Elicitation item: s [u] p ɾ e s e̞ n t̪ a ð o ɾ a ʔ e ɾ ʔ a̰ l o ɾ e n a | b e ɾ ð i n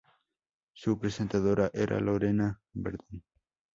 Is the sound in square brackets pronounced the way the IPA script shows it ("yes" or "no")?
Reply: yes